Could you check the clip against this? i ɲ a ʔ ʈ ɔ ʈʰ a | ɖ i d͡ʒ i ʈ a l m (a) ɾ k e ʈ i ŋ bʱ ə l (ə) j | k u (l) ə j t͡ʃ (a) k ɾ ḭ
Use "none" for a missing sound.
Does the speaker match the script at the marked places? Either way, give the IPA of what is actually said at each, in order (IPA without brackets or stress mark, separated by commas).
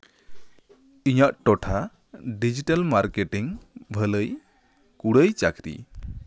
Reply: a, ə, ɽ, a